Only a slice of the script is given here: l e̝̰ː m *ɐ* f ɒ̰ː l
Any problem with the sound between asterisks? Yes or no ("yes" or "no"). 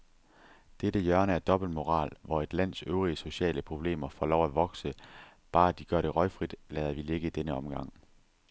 no